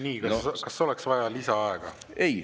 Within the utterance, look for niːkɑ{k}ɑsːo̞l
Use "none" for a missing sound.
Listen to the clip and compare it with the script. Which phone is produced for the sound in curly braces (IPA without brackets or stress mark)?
k